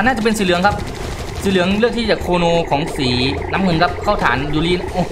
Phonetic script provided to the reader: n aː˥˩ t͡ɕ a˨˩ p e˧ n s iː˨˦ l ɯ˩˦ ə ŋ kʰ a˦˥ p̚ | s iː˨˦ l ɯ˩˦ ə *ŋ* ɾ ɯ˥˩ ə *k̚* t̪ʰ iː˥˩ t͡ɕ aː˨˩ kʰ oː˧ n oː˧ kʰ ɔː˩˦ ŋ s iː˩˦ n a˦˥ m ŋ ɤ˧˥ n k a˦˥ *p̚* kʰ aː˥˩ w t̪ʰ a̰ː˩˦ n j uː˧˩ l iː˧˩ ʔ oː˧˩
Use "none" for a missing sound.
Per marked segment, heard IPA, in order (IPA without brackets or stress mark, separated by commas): ŋ, k̚, p̚